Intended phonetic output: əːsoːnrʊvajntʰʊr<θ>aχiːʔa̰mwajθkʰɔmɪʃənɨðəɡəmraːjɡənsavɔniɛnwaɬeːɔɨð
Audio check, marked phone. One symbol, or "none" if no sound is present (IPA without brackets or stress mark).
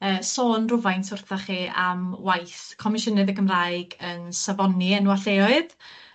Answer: θ